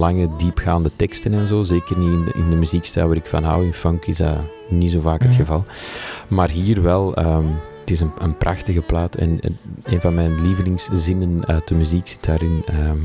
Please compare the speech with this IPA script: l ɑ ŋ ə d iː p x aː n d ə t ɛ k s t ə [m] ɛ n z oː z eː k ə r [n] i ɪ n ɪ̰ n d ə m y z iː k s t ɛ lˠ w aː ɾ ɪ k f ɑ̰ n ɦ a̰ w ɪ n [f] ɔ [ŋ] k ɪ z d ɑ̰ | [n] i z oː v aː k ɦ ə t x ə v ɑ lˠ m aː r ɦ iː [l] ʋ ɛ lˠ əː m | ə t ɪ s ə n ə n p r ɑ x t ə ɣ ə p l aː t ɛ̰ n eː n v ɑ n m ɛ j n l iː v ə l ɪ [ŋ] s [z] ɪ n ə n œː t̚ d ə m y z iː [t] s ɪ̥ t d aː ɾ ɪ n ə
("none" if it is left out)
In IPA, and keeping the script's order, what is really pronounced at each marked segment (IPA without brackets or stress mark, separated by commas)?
n, n, f, ŋ, n, r, ŋ, z, k